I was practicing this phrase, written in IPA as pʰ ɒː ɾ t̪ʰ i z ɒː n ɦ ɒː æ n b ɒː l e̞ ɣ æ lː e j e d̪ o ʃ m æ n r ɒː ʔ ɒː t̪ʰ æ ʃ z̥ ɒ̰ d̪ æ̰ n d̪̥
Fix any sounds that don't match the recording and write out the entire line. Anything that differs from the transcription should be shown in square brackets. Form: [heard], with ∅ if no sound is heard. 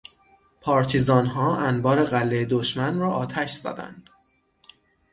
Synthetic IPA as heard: pʰ ɒː ɾ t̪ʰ i z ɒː n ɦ ɒː æ n b ɒː [ɾ] e̞ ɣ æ lː e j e d̪ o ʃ m æ n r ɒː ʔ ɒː t̪ʰ æ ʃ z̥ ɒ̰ d̪ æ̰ n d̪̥